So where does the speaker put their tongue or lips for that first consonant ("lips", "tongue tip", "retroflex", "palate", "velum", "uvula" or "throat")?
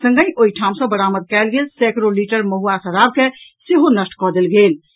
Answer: tongue tip